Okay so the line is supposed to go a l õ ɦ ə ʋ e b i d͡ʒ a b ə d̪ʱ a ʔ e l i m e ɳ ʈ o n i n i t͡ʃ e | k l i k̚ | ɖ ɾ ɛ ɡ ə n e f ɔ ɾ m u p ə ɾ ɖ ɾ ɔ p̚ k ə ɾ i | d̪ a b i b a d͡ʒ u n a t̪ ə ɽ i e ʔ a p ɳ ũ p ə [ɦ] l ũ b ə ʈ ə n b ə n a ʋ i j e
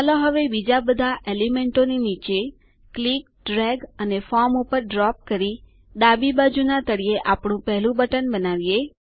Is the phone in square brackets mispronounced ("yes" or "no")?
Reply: no